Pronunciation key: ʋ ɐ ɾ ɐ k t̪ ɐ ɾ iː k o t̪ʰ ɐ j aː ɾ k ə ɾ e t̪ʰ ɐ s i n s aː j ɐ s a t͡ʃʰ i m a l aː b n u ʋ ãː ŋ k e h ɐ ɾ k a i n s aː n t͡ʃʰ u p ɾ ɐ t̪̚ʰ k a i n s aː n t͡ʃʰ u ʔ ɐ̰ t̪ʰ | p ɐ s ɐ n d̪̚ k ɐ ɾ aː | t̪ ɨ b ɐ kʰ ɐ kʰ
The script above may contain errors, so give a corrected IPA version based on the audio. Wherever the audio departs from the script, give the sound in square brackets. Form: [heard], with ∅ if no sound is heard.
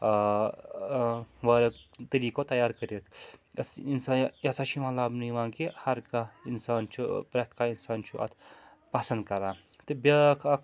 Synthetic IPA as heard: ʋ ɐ ɾ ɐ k t̪ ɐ ɾ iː k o [t̪] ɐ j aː ɾ k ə ɾ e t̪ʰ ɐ s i n s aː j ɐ s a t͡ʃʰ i m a l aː b n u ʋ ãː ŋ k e h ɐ ɾ k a i n s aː n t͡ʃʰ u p ɾ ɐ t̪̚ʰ k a i n s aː n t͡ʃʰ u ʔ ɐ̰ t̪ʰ | p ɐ s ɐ n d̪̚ k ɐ ɾ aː | t̪ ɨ b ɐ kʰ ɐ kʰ